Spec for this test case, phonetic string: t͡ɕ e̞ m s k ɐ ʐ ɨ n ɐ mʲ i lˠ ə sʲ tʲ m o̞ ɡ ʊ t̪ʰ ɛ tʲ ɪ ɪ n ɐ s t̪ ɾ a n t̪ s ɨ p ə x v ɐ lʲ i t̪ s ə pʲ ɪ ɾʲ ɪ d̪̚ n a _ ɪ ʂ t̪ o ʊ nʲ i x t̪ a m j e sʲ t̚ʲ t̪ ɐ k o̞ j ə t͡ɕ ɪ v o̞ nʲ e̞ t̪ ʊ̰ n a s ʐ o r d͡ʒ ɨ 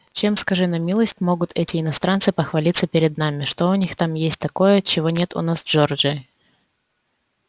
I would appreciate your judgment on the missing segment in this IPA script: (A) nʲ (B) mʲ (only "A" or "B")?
B